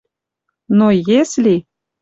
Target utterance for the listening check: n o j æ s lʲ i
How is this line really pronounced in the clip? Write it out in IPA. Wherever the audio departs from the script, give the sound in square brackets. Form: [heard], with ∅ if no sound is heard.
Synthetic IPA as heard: n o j [e] s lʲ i